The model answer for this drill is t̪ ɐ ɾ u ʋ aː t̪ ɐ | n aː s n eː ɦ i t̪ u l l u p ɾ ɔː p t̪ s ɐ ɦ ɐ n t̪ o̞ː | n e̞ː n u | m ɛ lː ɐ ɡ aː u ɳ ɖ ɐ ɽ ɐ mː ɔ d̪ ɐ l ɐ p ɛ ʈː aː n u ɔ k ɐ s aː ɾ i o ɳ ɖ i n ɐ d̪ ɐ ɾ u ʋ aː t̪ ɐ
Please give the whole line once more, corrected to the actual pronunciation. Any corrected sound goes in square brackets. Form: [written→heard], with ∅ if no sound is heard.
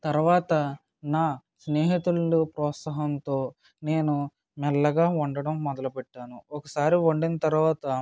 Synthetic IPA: t̪ ɐ ɾ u ʋ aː t̪ ɐ | n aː s n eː ɦ i t̪ u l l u p ɾ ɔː [p→∅] t̪ s ɐ ɦ ɐ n t̪ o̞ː | n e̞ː n u | m ɛ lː ɐ ɡ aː u ɳ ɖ ɐ ɽ ɐ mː ɔ d̪ ɐ l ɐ p ɛ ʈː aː n u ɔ k ɐ s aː ɾ i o ɳ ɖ i n ɐ [d̪→t̪] ɐ ɾ u ʋ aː t̪ ɐ

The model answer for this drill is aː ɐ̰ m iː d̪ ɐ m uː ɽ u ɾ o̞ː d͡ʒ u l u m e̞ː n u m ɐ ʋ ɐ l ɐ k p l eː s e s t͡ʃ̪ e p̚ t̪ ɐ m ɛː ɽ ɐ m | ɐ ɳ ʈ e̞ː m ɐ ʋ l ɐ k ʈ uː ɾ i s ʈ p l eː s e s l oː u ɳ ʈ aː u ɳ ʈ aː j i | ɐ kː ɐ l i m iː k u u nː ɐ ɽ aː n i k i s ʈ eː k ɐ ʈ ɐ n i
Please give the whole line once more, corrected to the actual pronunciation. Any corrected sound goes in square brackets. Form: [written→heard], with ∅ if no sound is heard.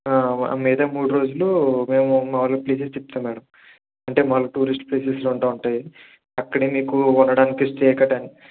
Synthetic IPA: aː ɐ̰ m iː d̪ ɐ m uː ɽ u ɾ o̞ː d͡ʒ u l u m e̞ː [n→m] u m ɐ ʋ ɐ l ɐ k p l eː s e s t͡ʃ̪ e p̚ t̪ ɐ m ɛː ɽ ɐ m | ɐ ɳ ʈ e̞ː m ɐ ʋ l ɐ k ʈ uː ɾ i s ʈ p l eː s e s l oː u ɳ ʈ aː u ɳ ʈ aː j i | ɐ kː ɐ [l→ɽ] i m iː k u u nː ɐ ɽ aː n i k i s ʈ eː k ɐ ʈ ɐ n i

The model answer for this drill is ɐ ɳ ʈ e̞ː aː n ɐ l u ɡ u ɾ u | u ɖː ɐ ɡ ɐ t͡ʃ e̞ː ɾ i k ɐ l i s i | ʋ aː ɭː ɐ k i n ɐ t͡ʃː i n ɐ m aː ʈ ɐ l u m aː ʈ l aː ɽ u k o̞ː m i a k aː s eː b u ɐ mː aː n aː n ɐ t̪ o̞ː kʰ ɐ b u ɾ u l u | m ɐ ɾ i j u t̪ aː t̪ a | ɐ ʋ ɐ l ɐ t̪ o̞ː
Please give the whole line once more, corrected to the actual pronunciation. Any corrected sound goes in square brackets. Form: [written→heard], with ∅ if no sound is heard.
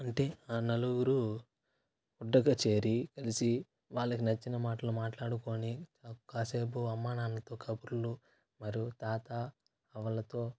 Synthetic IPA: ɐ ɳ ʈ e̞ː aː n ɐ l u ɡ u ɾ u | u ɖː ɐ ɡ ɐ t͡ʃ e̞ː ɾ i k ɐ l i s i | ʋ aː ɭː ɐ k i n ɐ t͡ʃː i n ɐ m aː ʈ ɐ l u m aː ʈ l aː ɽ u k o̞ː [m→n] i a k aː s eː b u ɐ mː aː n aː n ɐ t̪ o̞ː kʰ ɐ b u ɾ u l u | m ɐ ɾ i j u t̪ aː t̪ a | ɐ ʋ ɐ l ɐ t̪ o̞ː

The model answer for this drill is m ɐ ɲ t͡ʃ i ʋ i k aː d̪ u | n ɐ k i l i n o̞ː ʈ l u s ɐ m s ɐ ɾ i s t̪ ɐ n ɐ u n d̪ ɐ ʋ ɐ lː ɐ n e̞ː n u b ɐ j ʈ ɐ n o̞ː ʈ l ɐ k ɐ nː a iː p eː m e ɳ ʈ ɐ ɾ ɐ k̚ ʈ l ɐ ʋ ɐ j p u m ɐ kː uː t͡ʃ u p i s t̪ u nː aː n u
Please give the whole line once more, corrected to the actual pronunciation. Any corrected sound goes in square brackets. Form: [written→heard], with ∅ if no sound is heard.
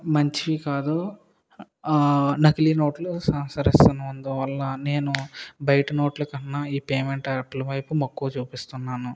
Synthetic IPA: m ɐ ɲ t͡ʃ i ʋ i k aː d̪ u | n ɐ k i l i n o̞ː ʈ l u s ɐ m s ɐ ɾ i s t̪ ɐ n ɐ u n d̪ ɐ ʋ ɐ lː ɐ n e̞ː n u b ɐ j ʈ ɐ n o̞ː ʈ l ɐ k ɐ nː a iː p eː m e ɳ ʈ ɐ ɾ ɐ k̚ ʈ l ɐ ʋ ɐ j p u m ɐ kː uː t͡ʃ [u→uː] p i s t̪ u nː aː n u

